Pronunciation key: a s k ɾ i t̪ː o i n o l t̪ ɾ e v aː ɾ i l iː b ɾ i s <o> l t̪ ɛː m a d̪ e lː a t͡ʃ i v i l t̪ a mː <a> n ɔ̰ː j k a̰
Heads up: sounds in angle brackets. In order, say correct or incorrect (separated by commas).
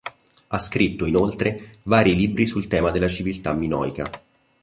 incorrect, incorrect